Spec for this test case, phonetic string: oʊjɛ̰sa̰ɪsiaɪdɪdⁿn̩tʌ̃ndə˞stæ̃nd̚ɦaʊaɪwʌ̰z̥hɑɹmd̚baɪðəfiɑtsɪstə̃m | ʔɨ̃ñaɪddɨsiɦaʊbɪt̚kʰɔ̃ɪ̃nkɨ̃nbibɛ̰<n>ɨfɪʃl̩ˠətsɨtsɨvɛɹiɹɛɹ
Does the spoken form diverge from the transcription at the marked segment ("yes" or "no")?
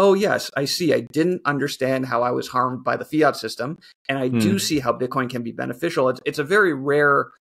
no